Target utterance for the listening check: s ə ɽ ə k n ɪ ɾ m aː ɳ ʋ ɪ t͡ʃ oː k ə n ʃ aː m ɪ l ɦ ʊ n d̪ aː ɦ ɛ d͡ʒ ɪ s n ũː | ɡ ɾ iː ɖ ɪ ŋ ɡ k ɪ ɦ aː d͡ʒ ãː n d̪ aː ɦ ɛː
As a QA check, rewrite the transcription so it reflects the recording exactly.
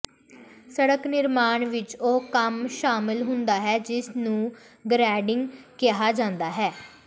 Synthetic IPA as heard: s ə ɽ ə k n ɪ ɾ m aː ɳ ʋ ɪ t͡ʃ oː k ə m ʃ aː m ɪ l ɦ ʊ n d̪ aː ɦ ɛː d͡ʒ ɪ s n ũː | ɡ ɾ ɛː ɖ ɪ ŋ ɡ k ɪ ɦ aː d͡ʒ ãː n d̪ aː ɦ ɛː